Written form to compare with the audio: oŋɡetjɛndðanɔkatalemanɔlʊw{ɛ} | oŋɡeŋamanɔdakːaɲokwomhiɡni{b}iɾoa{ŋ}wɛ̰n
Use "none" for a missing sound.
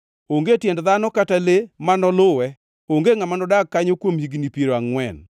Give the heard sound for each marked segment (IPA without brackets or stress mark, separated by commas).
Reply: ɛ, p, ŋ